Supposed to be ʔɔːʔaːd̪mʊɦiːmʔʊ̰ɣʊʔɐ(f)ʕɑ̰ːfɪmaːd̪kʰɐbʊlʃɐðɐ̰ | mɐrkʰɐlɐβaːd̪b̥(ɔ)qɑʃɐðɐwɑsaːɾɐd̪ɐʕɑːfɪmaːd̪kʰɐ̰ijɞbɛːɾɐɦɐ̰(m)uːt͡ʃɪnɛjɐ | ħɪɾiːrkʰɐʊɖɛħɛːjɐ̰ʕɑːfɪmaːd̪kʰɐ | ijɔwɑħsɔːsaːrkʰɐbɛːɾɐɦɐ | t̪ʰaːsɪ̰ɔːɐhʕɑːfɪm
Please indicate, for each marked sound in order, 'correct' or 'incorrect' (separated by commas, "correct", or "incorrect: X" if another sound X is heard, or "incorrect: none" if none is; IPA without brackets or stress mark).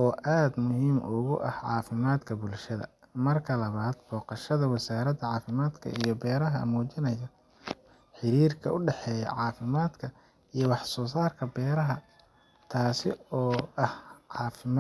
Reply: incorrect: h, incorrect: ɔː, correct